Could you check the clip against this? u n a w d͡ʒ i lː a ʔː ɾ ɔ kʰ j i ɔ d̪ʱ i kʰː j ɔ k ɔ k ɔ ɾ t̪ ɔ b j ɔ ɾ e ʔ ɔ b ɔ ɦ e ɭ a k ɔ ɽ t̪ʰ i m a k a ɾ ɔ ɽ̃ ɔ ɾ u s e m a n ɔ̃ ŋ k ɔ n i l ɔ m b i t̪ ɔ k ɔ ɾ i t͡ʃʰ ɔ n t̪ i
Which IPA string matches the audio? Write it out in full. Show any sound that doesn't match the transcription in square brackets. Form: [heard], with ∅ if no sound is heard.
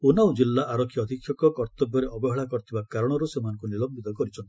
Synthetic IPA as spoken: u n a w d͡ʒ i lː a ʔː ɾ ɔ kʰ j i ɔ d̪ʱ i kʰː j ɔ k ɔ k ɔ ɾ t̪ ɔ b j ɔ ɾ e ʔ ɔ b ɔ ɦ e ɭ a k ɔ [ɾ] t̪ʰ i [b] a k a ɾ ɔ ɽ̃ ɔ ɾ u s e m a n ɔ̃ ŋ k [u] n i l ɔ m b i t̪ ɔ k ɔ ɾ i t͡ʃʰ ɔ n t̪ i

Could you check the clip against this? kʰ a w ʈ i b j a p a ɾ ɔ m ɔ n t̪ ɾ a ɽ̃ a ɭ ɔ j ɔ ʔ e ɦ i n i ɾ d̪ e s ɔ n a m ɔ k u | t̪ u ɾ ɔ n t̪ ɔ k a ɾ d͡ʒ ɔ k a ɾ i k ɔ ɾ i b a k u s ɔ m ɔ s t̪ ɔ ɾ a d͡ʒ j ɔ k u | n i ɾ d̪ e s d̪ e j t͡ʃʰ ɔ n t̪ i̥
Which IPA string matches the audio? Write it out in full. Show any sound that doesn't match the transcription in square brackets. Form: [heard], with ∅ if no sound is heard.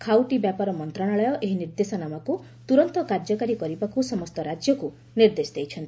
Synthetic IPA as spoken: kʰ a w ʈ i b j a p a ɾ ɔ m ɔ n t̪ ɾ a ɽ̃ a ɭ ɔ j ɔ ʔ e ɦ i n i ɾ d̪ e s ɔ n a m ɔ k u | t̪ u ɾ ɔ n t̪ ɔ k a ɾ d͡ʒ ɔ k a ɾ i k ɔ ɾ i b a k u s ɔ m ɔ s t̪ ɔ ɾ a d͡ʒ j ɔ k u | n i ɾ d̪ e s d̪ e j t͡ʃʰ ɔ n t̪ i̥

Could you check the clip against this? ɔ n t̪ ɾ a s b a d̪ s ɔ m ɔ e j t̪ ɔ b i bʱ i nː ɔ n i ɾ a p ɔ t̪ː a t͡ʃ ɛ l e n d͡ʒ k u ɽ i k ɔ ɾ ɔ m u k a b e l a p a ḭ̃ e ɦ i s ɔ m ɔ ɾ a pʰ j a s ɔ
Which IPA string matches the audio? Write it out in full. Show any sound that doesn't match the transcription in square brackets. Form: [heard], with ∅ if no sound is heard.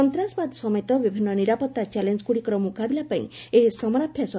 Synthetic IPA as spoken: ɔ n t̪ ɾ a s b a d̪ s ɔ m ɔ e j t̪ ɔ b i bʱ i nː ɔ n i ɾ a p ɔ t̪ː a t͡ʃ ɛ l e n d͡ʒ k u ɽ i k ɔ ɾ ɔ m u k a b [i] l a p a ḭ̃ e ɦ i s ɔ m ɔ ɾ a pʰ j a s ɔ

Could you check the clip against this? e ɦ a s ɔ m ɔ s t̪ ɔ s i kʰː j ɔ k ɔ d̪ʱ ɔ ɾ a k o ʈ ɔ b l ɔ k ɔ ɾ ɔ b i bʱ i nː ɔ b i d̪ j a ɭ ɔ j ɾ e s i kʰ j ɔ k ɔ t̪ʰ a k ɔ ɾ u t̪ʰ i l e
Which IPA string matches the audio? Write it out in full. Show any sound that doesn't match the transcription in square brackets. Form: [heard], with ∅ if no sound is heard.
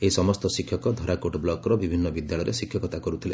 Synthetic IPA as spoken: e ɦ [i] s ɔ m ɔ s t̪ ɔ s i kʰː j ɔ k ɔ d̪ʱ ɔ ɾ a k o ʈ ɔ b l ɔ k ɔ ɾ ɔ b i bʱ i nː ɔ b i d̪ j a ɭ ɔ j ɾ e s i kʰ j ɔ k ɔ [t̪] a k ɔ ɾ u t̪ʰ i l e

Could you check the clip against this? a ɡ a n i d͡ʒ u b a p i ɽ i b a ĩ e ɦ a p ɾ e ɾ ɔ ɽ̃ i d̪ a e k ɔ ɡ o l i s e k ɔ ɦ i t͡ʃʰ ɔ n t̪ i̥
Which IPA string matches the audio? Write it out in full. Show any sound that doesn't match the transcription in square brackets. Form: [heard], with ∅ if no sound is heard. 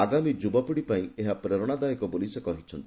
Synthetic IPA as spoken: a ɡ a [m] i d͡ʒ u b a p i ɽ i [p] a ĩ e ɦ a p ɾ e ɾ ɔ ɽ̃ [a] d̪ a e k ɔ [b] o l i s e k ɔ ɦ i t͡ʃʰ ɔ n t̪ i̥

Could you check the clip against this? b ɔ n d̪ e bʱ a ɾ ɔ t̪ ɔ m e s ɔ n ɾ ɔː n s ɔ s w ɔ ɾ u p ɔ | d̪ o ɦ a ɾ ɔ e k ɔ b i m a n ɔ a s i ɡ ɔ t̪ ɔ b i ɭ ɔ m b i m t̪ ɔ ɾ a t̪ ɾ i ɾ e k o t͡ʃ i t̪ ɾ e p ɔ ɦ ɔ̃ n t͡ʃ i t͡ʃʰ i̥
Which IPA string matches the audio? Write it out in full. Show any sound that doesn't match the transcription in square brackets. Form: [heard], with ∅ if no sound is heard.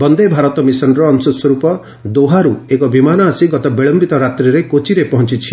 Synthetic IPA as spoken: b ɔ n d̪ e bʱ a ɾ ɔ t̪ ɔ m [i] s ɔ n ɾ ɔː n s ɔ s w ɔ ɾ u p ɔ | d̪ o ɦ a ɾ [u] e k ɔ b i m a n ɔ a s i ɡ ɔ t̪ ɔ b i ɭ ɔ m b i [∅] t̪ ɔ ɾ a t̪ ɾ i ɾ e k o t͡ʃ i [∅] ɾ e p ɔ ɦ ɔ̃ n t͡ʃ i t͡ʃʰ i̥

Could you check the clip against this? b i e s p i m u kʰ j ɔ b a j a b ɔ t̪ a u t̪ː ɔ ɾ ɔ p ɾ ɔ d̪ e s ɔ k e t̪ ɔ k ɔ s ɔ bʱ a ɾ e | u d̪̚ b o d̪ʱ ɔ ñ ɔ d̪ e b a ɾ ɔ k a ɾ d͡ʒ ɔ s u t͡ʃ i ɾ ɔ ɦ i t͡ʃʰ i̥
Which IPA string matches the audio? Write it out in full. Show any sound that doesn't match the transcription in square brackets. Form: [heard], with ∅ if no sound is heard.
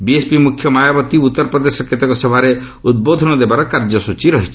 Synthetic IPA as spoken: b i e s p i m u kʰ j ɔ [m] a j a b ɔ t̪ [i] u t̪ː ɔ ɾ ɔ p ɾ ɔ d̪ e s ɔ k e t̪ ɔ k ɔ s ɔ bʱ a ɾ e | u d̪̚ b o d̪ʱ ɔ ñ ɔ d̪ e b a ɾ ɔ k a ɾ d͡ʒ ɔ s u t͡ʃ i ɾ ɔ ɦ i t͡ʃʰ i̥

